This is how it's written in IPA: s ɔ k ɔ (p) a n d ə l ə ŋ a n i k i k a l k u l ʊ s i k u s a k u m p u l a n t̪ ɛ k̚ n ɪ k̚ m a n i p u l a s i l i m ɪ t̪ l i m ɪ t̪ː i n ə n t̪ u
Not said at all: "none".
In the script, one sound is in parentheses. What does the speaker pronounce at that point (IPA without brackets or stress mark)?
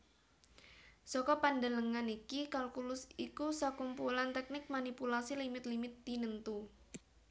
p